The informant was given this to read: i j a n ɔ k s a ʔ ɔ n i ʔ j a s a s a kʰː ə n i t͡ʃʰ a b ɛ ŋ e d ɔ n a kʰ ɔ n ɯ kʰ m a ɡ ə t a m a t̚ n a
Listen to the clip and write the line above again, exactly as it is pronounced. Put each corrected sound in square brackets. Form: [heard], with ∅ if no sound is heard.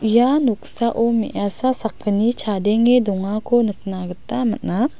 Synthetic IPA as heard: i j a n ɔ k s a ʔ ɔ [m] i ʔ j a s a s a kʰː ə n i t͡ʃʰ a [d] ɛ ŋ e d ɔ [ŋ] a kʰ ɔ n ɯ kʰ [n] a ɡ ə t a m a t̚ n a